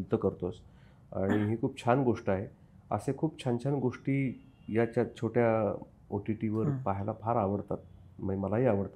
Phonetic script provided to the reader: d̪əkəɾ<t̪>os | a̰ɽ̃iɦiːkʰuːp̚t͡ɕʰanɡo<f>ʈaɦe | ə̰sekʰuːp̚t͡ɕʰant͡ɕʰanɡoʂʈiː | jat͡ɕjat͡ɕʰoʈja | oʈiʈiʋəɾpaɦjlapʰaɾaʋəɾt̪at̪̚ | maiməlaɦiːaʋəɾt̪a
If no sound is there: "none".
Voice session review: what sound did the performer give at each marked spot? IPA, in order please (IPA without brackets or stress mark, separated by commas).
t̪, ʂ